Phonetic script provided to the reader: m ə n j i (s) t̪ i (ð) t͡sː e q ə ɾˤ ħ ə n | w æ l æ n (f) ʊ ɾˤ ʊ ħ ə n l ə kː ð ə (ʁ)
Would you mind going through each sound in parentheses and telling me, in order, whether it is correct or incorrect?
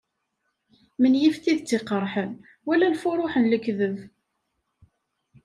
incorrect: f, correct, correct, incorrect: v

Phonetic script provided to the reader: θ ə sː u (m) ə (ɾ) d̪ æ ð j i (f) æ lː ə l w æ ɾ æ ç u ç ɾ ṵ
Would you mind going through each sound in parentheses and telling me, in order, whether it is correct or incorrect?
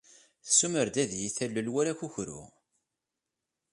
correct, correct, incorrect: θ

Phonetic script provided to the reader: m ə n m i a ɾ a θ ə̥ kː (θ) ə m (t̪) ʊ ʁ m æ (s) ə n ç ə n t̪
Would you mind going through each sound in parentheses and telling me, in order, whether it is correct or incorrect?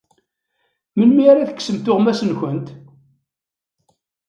incorrect: s, correct, correct

